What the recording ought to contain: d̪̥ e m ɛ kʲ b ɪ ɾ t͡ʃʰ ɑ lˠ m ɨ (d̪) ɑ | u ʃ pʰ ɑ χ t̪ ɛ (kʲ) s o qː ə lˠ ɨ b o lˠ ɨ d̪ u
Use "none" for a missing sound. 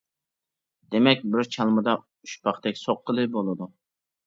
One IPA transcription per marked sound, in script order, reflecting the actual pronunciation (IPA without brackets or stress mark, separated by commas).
d̪, kʲ